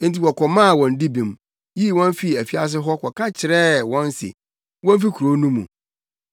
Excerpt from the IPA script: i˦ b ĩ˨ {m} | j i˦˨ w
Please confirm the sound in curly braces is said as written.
yes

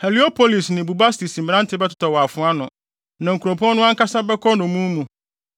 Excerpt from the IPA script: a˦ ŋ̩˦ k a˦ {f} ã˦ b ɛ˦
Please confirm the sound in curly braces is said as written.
no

